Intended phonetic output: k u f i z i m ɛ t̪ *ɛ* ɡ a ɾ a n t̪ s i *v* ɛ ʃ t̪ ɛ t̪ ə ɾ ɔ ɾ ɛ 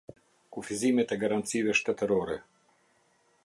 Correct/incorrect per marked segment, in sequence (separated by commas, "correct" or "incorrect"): correct, correct